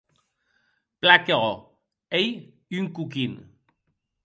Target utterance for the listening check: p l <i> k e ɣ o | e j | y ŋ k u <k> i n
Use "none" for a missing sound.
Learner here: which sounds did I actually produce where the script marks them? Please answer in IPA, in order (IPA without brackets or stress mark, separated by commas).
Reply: a, k